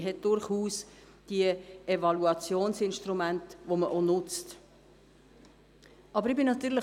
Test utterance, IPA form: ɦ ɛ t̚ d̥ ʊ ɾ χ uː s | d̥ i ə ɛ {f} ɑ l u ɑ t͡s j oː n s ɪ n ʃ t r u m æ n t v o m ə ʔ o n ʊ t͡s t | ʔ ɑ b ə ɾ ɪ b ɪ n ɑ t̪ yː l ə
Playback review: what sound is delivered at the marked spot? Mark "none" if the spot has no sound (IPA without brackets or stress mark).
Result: v